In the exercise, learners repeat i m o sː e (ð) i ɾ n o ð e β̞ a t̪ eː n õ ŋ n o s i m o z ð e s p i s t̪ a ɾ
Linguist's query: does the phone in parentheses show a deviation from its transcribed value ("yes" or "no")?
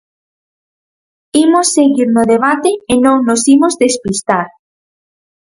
yes